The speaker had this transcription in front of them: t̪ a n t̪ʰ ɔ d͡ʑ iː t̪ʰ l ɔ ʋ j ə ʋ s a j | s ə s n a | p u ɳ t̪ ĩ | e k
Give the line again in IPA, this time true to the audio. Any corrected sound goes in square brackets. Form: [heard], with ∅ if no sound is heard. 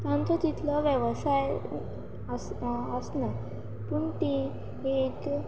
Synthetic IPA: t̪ a n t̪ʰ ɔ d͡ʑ [i] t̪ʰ l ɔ ʋ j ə ʋ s a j | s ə s n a | p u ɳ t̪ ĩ | e k